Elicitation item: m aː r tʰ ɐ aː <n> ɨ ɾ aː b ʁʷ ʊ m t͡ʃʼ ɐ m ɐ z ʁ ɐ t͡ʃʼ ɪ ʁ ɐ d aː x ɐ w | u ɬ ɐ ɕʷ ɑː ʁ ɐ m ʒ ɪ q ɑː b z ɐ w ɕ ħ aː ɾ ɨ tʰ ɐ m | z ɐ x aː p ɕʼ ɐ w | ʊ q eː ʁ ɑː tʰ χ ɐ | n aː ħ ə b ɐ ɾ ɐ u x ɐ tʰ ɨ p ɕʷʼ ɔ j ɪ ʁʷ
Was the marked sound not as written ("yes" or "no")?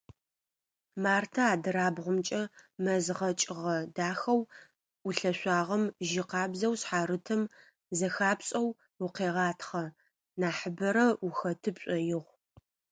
yes